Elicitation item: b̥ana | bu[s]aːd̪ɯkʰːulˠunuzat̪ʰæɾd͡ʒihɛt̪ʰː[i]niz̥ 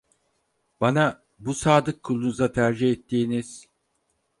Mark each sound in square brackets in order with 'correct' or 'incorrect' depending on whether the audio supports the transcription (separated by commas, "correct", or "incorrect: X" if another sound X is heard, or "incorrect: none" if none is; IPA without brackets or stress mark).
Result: correct, incorrect: iː